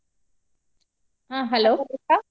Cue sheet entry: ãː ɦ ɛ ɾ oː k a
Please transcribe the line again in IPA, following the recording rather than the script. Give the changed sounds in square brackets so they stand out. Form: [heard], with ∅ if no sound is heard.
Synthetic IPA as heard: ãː ɦ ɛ [l] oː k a